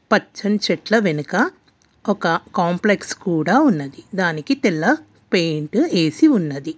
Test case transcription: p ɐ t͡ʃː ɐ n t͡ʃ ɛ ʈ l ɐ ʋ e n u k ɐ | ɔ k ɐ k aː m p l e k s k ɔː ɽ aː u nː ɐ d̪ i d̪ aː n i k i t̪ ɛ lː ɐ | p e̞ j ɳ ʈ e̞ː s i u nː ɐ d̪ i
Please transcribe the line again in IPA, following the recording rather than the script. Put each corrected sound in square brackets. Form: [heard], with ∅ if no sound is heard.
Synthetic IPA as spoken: p ɐ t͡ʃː ɐ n t͡ʃ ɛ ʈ l ɐ ʋ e n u k ɐ | ɔ k ɐ k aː m p l e k s k [uː] ɽ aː u nː ɐ d̪ i d̪ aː n i k i t̪ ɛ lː ɐ | p e̞ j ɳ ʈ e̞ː s i u nː ɐ d̪ i